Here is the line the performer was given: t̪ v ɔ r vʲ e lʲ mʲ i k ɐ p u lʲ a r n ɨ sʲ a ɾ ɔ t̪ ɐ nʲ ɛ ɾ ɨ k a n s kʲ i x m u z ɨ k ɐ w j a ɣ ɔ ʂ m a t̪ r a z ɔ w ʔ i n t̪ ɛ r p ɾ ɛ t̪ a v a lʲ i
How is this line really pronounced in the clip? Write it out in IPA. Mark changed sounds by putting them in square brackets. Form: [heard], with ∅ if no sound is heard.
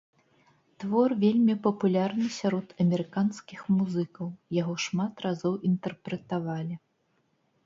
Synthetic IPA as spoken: t̪ v ɔ r vʲ e lʲ mʲ i [p] ɐ p u lʲ a r n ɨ sʲ a ɾ ɔ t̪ ɐ [mʲ] ɛ ɾ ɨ k a n s kʲ i x m u z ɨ k ɐ w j a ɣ ɔ ʂ m a t̪ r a z ɔ w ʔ i n t̪ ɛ r p ɾ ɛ t̪ a v a lʲ i